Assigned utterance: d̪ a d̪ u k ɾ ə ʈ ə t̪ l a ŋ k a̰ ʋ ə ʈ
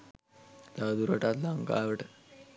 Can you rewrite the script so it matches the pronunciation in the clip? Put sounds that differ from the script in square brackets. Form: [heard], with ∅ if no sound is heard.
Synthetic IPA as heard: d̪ a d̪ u [∅] ɾ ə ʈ [a] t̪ l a ŋ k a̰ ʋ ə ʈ